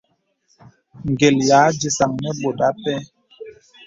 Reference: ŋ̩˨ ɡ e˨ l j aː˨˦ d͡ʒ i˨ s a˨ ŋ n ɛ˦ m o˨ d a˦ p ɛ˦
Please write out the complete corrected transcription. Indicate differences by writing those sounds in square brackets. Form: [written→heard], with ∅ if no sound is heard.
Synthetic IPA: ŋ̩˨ ɡ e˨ l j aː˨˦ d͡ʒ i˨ s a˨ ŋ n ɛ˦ [m→b] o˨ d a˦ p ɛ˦